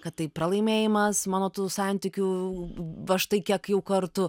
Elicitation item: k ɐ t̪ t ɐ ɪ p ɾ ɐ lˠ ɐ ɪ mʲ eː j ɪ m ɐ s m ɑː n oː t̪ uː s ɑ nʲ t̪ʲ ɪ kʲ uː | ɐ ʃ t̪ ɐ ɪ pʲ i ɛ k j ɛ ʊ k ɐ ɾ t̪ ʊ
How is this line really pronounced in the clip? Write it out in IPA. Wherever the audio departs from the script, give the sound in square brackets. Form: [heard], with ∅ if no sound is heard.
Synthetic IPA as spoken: k ɐ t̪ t ɐ ɪ p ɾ ɐ lˠ ɐ ɪ mʲ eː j ɪ m ɐ s m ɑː n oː t̪ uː s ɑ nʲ t̪ʲ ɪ kʲ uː | ɐ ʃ t̪ ɐ ɪ [kʲ] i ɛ k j ɛ ʊ k ɐ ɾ t̪ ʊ